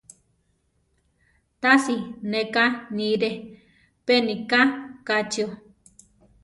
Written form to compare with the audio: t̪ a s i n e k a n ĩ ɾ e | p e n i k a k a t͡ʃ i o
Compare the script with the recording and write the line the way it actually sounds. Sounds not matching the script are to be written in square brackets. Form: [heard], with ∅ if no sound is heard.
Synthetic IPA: t̪ a s i n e k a n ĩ ɾ e | p e n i k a k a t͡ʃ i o